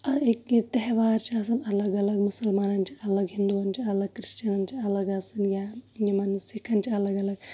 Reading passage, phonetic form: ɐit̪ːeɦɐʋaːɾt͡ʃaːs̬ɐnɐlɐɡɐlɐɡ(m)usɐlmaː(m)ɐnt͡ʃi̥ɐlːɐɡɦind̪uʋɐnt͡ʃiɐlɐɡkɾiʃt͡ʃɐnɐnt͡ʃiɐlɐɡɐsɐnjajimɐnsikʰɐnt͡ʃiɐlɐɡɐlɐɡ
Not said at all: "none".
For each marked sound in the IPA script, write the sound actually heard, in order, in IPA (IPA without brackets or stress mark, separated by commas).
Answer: m, n